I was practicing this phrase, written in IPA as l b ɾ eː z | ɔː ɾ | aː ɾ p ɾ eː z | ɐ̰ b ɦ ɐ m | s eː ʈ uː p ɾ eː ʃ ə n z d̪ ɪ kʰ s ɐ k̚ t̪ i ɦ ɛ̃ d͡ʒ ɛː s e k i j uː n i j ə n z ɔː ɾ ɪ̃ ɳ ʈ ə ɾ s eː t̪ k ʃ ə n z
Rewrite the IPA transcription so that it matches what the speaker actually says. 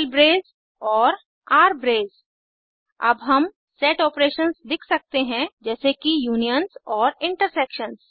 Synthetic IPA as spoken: l b ɾ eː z | ɔː ɾ | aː ɾ b ɾ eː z | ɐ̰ b ɦ ɐ m | s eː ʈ ɔː p ɾ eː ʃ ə n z d̪ ɪ kʰ s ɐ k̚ t̪ e ɦ ɛ̃ d͡ʒ ɛː s e k i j uː n i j ə n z ɔː ɾ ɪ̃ ɳ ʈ ə ɾ s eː k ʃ ə n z